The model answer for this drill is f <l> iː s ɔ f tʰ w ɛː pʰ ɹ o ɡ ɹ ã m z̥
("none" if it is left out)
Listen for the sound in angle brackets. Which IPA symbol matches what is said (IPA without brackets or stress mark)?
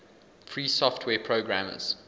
ɹ